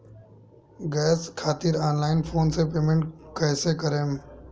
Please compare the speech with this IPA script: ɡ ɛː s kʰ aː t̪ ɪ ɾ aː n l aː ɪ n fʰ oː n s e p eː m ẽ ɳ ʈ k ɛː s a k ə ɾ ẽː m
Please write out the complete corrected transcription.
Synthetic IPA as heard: ɡ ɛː s kʰ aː t̪ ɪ ɾ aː n l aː ɪ n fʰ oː n s e p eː m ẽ ɳ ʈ k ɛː s e k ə ɾ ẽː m